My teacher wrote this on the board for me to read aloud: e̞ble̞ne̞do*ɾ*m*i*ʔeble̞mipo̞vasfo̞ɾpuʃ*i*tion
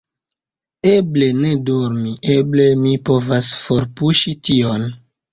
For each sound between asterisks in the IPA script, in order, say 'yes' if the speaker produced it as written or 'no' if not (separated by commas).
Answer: yes, yes, yes